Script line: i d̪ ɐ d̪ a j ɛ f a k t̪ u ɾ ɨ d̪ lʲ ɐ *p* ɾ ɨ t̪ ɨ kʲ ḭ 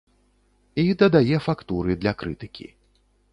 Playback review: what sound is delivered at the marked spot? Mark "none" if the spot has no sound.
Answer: k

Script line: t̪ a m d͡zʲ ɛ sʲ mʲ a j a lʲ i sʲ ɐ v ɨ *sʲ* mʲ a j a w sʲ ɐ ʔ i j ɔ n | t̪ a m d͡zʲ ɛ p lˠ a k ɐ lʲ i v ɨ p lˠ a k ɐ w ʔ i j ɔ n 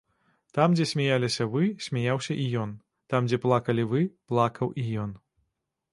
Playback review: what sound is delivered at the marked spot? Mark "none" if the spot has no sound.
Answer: sʲ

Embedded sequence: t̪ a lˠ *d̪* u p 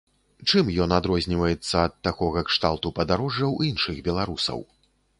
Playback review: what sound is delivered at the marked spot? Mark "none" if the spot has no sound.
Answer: t̪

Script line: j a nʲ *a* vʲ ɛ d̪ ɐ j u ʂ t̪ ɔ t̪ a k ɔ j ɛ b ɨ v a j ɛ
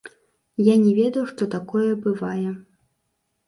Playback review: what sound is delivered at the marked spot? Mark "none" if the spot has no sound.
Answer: ɛ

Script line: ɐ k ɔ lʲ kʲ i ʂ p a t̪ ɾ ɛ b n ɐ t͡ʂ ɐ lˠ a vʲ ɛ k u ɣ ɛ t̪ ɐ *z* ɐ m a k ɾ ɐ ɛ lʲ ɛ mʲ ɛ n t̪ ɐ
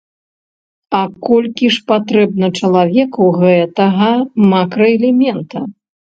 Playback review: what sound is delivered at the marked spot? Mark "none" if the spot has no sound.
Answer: ɣ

